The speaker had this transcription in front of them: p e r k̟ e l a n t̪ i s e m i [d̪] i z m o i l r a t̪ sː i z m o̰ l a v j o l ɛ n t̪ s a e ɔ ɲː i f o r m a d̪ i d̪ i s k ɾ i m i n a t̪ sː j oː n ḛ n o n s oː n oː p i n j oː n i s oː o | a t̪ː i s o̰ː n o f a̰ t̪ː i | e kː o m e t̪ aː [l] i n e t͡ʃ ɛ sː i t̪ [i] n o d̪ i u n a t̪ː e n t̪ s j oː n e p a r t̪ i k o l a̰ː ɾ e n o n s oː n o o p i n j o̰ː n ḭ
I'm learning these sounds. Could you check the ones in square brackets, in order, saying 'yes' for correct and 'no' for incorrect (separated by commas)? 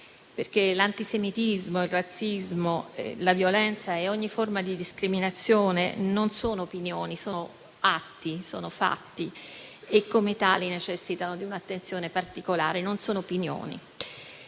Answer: no, yes, no